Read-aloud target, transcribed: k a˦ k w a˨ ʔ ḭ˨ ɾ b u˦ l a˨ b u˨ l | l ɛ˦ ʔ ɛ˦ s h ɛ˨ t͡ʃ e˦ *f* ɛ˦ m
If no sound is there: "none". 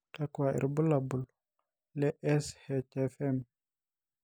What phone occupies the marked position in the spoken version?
f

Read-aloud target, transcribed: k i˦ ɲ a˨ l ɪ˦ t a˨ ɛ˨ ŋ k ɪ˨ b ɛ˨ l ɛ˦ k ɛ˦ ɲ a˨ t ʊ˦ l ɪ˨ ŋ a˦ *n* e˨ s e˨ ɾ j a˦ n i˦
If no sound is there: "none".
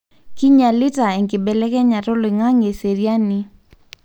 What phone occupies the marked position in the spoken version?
ŋ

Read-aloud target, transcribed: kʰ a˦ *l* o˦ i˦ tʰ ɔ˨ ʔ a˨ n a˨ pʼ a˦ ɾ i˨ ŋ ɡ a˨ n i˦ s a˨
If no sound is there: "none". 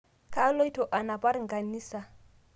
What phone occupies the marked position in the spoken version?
l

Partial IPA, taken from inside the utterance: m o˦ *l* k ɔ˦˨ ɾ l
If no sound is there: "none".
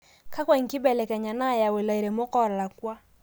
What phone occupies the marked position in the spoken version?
none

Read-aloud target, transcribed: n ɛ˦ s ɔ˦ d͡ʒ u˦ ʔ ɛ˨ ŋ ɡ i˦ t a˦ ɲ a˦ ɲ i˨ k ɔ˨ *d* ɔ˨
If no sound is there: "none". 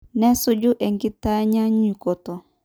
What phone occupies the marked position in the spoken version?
t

